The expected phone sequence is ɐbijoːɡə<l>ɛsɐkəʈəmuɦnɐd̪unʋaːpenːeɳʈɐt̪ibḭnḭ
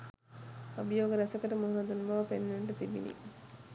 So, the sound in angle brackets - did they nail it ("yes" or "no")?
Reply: no